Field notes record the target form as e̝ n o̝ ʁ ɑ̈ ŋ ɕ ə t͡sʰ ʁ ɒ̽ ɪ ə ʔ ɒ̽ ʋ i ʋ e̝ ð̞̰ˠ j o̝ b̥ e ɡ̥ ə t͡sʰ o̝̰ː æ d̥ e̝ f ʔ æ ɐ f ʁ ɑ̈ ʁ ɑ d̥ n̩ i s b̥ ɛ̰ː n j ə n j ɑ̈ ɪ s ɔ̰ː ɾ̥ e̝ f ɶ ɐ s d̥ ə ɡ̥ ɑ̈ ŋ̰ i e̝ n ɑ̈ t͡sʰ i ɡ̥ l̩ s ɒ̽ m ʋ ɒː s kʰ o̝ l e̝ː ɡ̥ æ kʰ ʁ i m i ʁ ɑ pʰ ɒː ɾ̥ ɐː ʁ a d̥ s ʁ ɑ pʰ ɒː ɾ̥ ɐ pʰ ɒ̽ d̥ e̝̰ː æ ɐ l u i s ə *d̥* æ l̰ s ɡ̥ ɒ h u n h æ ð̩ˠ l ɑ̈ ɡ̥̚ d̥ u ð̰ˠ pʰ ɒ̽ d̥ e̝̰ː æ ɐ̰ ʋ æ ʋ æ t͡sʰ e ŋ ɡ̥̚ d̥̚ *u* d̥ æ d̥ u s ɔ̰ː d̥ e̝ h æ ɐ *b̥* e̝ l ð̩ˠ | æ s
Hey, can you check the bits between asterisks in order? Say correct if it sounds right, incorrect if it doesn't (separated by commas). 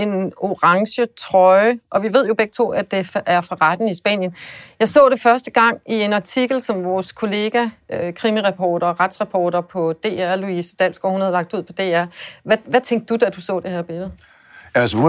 correct, correct, correct